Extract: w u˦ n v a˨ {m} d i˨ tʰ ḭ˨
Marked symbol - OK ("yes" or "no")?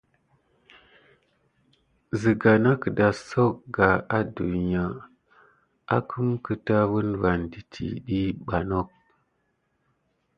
no